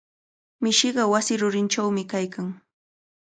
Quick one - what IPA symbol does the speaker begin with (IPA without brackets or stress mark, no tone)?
m